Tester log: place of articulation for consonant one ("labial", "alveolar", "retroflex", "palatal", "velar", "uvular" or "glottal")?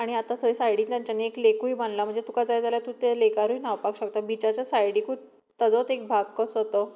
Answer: retroflex